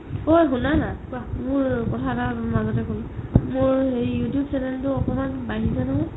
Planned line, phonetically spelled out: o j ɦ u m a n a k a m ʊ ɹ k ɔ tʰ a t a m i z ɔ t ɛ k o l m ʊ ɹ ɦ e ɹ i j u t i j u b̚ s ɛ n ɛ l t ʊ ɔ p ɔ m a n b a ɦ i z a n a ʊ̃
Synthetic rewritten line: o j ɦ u n a n a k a m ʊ ɹ k ɔ tʰ a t a m a z ɔ t ɛ k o l m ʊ ɹ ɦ e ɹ i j u t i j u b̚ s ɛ n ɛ l t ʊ ɔ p ɔ m a n b a ɦ i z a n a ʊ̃